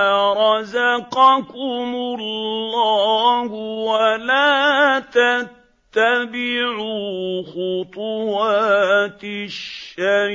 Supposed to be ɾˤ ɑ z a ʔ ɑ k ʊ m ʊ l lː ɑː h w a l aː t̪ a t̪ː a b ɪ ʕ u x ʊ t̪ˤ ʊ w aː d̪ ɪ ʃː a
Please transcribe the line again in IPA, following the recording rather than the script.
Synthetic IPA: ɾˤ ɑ z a q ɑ k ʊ m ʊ l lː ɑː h w a l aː t̪ a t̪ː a b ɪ ʕ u x ʊ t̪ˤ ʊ w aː t̪ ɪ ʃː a